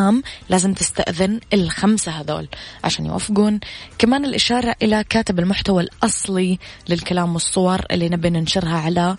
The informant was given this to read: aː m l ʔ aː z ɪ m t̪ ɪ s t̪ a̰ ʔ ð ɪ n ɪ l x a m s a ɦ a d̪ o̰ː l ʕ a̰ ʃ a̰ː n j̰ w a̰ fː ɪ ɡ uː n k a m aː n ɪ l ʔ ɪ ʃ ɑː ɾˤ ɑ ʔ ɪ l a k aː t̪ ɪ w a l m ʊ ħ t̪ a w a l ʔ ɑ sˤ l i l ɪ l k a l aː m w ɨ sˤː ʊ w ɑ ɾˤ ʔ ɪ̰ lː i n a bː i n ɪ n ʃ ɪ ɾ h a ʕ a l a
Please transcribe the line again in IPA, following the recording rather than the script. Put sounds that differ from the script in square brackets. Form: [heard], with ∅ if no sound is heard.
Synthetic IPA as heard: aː m l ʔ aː z ɪ m t̪ ɪ s t̪ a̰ ʔ ð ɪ n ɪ l x a m s a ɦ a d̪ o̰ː l ʕ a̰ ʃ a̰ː n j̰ w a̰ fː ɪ ɡ uː n k a m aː n ɪ l ʔ ɪ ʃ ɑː ɾˤ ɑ ʔ ɪ l a k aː t̪ ɪ [b] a l m ʊ ħ t̪ a w a l ʔ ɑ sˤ l i l ɪ l k a l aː m w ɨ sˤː ʊ w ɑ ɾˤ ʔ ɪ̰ lː i n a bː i n ɪ n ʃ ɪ ɾ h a ʕ a l a